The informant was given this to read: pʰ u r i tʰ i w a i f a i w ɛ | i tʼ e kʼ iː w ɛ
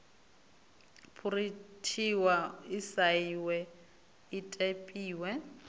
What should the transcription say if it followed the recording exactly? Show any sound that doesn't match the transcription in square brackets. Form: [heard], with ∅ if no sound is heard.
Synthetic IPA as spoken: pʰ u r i tʰ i w a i [s] a i w ɛ | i tʼ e [pʼ] iː w ɛ